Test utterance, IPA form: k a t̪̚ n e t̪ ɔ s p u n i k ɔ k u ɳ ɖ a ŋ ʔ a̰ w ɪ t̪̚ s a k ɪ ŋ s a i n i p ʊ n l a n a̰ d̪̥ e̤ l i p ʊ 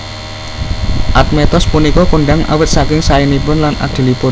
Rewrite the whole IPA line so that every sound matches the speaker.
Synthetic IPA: ʔ a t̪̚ m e t̪ ɔ s p u n i k ɔ k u ɳ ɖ a ŋ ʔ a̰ w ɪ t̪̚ s a k ɪ ŋ s a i n i p ʊ n l a n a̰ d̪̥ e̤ l i p ʊ

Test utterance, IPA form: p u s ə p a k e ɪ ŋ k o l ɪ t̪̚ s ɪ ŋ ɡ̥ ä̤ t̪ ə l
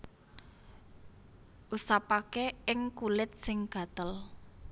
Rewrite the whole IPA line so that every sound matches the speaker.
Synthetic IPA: ʔ u s a p a k e ɪ ŋ k u l ɪ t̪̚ s ɪ ŋ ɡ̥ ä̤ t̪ ə l

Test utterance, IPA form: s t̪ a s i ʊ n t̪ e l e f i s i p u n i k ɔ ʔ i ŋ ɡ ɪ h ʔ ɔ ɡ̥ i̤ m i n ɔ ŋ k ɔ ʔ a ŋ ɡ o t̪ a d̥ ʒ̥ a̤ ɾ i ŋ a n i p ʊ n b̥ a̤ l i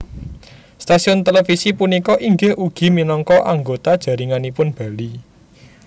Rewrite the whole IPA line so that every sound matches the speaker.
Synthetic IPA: s t̪ a s i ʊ n t̪ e l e f i s i p u n i k ɔ ʔ i ŋ ɡ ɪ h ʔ u ɡ̥ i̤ m i n ɔ ŋ k ɔ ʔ a ŋ ɡ o t̪ a d̥ ʒ̥ a̤ ɾ i ŋ a n i p ʊ n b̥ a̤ l i

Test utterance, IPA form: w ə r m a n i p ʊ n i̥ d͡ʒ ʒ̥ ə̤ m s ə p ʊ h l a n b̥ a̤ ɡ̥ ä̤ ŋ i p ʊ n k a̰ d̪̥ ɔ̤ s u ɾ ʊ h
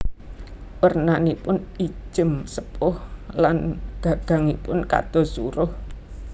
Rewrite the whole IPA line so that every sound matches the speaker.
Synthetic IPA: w ə r n a n i p ʊ n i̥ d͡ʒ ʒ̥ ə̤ m s ə p ʊ h l a n ɡ̥ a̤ ɡ̥ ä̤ ŋ i p ʊ n k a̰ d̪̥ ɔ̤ s u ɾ ʊ h

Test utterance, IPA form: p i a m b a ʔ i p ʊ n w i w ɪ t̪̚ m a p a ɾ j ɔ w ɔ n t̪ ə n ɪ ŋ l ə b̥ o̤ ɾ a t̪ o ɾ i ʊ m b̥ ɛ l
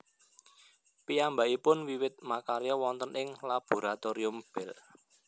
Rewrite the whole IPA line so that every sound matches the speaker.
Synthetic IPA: p i a m b a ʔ i p ʊ n w i w ɪ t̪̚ m a k a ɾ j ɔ w ɔ n t̪ ə n ɪ ŋ l a b̥ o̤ ɾ a t̪ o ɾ i ʊ m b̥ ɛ l

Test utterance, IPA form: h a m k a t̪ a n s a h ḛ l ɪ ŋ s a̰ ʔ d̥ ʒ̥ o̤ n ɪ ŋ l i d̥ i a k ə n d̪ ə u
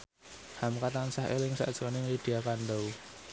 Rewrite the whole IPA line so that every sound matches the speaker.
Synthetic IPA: h a m k a t̪ a n s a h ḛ l ɪ ŋ s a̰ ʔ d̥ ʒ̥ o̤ n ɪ ŋ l i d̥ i a k a n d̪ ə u

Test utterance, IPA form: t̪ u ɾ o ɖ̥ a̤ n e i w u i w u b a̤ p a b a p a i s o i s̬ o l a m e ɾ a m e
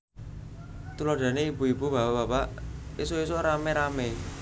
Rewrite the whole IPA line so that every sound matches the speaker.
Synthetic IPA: t̪ u l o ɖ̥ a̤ n e i b u i b u b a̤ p a b a p a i s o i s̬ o ɾ a m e ɾ a m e

